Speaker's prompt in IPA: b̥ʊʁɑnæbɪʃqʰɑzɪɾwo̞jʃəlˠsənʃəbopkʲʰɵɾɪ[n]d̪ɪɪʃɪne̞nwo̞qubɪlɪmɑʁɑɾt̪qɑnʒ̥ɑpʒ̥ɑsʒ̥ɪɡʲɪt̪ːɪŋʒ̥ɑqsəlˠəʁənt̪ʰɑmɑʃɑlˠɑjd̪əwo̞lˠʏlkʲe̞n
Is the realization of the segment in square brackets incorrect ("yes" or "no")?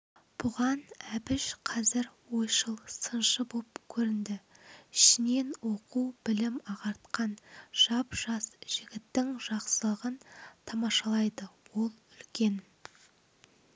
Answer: no